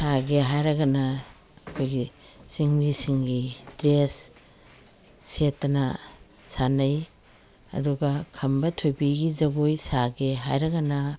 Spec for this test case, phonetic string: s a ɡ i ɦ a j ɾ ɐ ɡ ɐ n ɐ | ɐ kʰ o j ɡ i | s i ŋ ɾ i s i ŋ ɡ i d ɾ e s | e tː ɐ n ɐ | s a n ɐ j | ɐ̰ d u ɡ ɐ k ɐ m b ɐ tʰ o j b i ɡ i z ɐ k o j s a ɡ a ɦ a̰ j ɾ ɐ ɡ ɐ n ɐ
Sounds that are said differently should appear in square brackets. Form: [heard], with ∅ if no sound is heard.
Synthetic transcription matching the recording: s a ɡ [e] ɦ a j ɾ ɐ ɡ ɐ n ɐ | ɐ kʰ o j ɡ i | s i ŋ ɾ i s i ŋ ɡ i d ɾ e s | e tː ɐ n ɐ | s a n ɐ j | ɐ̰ d u ɡ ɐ [kʰ] ɐ m b ɐ tʰ o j b i ɡ i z ɐ [ɡ] o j s a ɡ [e] ɦ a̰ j ɾ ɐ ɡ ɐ n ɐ